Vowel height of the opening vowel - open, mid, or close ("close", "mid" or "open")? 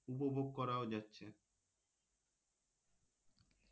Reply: close